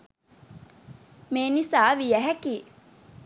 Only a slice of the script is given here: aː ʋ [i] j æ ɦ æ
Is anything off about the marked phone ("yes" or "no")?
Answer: no